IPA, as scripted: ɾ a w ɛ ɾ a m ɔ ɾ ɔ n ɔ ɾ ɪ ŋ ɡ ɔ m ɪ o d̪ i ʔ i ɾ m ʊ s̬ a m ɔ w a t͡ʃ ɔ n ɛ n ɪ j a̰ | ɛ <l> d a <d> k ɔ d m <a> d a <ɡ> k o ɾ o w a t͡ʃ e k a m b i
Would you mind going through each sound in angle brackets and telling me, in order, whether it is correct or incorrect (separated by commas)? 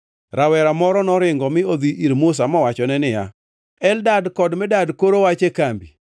correct, correct, incorrect, incorrect